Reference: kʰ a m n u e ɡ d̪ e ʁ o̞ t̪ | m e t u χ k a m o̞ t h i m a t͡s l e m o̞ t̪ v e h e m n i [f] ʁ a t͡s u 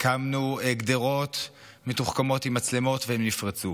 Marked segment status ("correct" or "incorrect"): correct